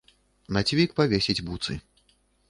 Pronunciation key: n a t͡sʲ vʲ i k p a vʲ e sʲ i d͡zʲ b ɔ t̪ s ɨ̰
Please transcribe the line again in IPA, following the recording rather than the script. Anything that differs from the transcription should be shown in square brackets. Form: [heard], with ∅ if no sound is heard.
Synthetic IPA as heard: n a t͡sʲ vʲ i k p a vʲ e sʲ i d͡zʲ b [u] t̪ s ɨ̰

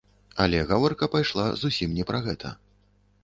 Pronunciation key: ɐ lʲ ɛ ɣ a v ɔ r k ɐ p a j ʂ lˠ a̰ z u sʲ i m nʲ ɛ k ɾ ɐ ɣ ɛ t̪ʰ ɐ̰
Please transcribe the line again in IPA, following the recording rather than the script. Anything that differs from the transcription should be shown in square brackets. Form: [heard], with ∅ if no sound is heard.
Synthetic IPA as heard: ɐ lʲ ɛ ɣ a v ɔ r k ɐ p a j ʂ lˠ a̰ z u sʲ i m nʲ ɛ [p] ɾ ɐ ɣ ɛ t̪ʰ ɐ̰

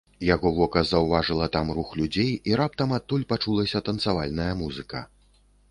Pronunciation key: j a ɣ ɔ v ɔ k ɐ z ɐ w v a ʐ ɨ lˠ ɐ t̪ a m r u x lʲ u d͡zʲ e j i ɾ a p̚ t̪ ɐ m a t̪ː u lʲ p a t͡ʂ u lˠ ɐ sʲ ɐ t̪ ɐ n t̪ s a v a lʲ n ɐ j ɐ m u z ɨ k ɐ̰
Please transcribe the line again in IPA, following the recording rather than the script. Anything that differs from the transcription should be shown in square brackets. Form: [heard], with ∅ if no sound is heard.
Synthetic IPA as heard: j a ɣ ɔ v ɔ k ɐ z ɐ w v a ʐ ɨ lˠ ɐ t̪ a m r u x lʲ u d͡zʲ e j i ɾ a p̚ t̪ ɐ m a t̪ː u lʲ p a t͡ʂ u lˠ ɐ sʲ ɐ t̪ ɐ n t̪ s a v a lʲ n ɐ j ɐ m u z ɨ k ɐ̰

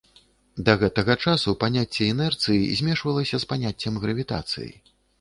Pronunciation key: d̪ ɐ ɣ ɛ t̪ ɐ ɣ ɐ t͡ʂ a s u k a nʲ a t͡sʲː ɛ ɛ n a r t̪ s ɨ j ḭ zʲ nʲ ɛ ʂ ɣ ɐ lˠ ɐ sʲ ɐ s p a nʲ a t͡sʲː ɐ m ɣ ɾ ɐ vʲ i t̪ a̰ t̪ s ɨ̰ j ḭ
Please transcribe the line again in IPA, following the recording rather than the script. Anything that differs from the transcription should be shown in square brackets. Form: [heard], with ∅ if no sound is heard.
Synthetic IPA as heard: d̪ ɐ ɣ ɛ t̪ ɐ ɣ ɐ t͡ʂ a s u [p] a nʲ a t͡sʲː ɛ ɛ n [ɛ] r t̪ s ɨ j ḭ zʲ [mʲ] ɛ ʂ [v] ɐ lˠ ɐ sʲ ɐ s p a nʲ a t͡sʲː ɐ m ɣ ɾ ɐ vʲ i t̪ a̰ t̪ s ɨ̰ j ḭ

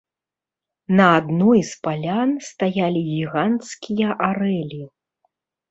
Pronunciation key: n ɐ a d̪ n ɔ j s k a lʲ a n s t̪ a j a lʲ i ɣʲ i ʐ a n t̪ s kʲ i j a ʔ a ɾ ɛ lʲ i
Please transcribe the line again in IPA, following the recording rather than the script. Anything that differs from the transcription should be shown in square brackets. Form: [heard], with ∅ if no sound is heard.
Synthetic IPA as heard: n ɐ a d̪ n ɔ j s [p] a lʲ a n s t̪ a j a lʲ i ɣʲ i [ɣ] a n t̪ s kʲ i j [ɐ] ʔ a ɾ ɛ lʲ i

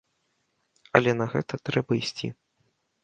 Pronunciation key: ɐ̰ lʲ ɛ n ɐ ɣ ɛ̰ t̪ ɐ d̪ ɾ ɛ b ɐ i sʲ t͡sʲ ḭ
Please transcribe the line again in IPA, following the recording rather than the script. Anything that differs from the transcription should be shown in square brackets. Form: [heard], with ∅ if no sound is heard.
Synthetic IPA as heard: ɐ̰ lʲ ɛ n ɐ ɣ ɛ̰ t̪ ɐ [t̪] ɾ ɛ b ɐ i sʲ t͡sʲ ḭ

